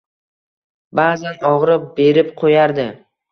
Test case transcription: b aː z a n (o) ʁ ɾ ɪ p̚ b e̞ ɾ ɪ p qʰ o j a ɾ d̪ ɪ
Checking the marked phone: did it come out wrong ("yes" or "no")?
yes